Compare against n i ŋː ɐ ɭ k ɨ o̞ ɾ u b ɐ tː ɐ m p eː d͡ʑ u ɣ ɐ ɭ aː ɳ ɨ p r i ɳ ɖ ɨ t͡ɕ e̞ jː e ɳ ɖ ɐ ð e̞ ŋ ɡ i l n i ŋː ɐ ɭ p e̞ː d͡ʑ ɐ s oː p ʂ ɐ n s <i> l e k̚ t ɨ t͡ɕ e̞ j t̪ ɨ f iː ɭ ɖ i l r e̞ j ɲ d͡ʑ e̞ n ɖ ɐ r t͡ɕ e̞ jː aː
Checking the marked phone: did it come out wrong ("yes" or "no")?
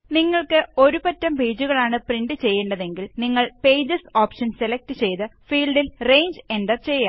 yes